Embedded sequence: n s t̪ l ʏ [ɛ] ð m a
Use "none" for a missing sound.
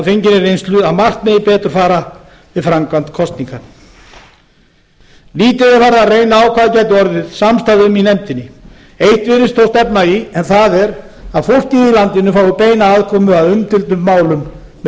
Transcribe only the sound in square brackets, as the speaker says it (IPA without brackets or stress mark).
a